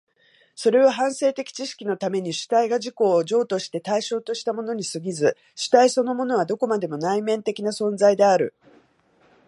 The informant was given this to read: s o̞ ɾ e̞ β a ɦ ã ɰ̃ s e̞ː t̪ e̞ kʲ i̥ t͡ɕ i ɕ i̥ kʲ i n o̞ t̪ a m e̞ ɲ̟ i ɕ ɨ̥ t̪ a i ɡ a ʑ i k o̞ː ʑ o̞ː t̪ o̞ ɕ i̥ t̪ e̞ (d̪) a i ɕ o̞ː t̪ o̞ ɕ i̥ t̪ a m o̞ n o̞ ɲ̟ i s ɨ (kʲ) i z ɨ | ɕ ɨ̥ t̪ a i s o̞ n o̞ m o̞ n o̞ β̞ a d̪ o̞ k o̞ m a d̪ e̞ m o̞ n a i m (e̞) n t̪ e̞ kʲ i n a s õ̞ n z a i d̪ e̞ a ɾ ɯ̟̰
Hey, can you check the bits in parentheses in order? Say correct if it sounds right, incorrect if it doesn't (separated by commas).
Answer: incorrect, incorrect, incorrect